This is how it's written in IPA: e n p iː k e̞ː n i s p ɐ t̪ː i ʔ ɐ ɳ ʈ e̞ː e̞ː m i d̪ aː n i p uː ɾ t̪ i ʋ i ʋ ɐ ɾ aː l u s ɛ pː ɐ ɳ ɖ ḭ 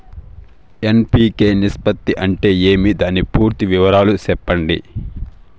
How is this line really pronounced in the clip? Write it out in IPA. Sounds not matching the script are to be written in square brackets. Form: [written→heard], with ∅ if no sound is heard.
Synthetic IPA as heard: e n p iː k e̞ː n i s p ɐ t̪ː i ʔ ɐ ɳ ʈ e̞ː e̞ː m i d̪ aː n i p uː ɾ t̪ i ʋ i ʋ ɐ ɾ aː l u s ɛ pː ɐ ɳ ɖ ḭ